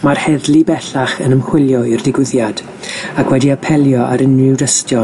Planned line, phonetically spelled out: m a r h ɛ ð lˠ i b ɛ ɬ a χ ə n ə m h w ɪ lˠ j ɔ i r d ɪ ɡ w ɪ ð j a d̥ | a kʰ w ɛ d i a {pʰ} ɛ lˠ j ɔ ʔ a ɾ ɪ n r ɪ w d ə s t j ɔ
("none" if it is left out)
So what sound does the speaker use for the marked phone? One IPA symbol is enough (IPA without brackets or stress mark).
pʰ